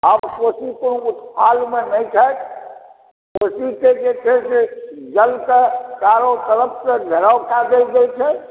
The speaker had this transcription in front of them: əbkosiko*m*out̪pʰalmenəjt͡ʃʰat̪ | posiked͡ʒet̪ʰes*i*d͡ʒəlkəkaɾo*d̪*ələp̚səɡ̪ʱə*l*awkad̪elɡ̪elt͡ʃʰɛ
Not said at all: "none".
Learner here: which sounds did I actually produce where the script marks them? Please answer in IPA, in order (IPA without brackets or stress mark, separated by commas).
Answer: n, e, t̪, ɾ